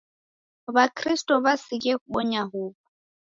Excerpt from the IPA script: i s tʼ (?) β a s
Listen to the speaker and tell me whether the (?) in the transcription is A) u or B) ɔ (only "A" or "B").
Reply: B